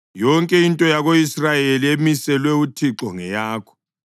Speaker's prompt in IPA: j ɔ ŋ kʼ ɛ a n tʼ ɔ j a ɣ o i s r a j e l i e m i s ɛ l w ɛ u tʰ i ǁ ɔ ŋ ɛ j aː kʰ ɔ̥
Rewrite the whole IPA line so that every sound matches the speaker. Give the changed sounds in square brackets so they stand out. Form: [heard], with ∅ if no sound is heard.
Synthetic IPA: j ɔ ŋ kʼ ɛ [i] n tʼ ɔ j a ɣ o i s r a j e l i e m i s ɛ l w ɛ u tʰ i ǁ ɔ ŋ ɛ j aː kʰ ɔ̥